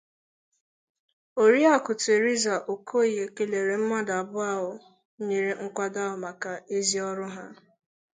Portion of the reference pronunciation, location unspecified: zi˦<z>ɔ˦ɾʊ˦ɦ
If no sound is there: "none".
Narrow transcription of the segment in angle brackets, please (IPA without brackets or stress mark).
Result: none